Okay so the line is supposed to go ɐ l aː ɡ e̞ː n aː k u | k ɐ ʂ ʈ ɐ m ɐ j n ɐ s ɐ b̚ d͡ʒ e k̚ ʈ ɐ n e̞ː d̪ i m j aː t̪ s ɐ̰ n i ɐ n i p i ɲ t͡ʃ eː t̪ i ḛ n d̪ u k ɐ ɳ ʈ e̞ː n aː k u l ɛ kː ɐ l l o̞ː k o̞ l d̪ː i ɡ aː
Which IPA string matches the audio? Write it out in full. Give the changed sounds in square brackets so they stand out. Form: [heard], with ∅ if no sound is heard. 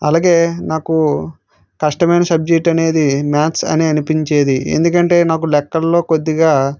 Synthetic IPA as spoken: ɐ l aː ɡ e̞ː n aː k u | k ɐ ʂ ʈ ɐ m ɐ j n ɐ s ɐ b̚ d͡ʒ e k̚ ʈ ɐ n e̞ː d̪ i m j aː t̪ s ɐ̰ n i ɐ n i p i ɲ t͡ʃ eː [d̪] i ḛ n d̪ u k ɐ ɳ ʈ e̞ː n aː k u l ɛ kː ɐ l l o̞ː k o̞ [∅] d̪ː i ɡ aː